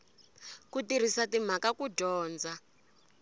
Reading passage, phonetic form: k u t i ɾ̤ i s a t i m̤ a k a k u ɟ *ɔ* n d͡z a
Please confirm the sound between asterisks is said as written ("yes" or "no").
no